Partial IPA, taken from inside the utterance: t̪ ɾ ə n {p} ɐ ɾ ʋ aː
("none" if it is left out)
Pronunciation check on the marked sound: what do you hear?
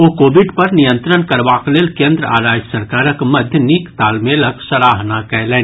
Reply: k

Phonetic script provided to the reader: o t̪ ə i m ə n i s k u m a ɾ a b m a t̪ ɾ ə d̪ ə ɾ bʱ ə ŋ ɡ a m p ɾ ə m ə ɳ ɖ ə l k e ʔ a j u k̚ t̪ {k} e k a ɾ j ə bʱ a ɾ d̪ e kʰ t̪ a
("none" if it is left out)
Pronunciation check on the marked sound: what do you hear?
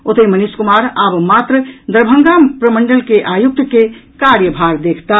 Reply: k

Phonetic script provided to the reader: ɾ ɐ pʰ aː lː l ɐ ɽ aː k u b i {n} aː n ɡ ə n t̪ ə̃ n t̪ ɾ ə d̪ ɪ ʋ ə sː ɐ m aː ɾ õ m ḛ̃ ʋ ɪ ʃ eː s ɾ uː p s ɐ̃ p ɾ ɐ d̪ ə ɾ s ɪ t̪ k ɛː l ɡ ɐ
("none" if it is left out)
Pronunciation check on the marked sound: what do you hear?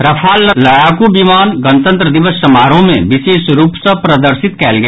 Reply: m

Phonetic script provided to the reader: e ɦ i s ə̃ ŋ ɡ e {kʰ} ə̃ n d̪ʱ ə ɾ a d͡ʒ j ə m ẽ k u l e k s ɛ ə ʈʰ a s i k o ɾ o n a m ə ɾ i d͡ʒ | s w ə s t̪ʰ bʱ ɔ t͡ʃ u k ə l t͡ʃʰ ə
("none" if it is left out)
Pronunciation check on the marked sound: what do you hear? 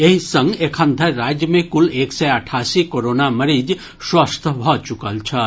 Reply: kʰ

